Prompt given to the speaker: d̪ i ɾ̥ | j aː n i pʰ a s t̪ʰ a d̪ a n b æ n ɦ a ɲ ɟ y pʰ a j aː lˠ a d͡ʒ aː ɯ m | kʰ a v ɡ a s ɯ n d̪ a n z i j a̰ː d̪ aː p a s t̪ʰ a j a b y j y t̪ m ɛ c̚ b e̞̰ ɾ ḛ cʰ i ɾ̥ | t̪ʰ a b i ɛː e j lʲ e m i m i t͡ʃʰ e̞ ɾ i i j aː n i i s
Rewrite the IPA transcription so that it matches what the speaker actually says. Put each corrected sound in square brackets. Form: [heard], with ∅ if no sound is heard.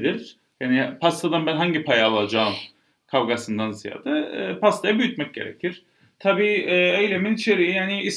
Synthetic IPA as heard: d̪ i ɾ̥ | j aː n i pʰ a s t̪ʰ a d̪ a n b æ n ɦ a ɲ ɟ [i] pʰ a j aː lˠ a d͡ʒ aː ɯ m | kʰ a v ɡ a s ɯ n d̪ a n z i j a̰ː d̪ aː p a s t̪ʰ a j a b y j y t̪ m ɛ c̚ [ɟ] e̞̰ ɾ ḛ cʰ i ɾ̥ | t̪ʰ a b [iː] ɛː e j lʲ e m i [n] i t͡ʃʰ e̞ ɾ i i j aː n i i s